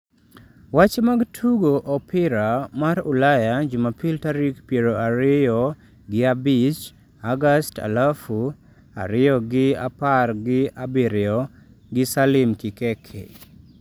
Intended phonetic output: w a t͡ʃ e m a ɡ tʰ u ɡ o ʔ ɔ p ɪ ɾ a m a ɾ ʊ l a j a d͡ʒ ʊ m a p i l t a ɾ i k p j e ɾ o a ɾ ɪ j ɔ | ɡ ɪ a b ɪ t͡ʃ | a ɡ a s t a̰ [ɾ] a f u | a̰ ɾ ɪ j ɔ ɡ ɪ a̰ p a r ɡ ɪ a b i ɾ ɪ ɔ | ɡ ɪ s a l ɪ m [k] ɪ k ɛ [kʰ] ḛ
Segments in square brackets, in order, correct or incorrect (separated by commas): incorrect, correct, correct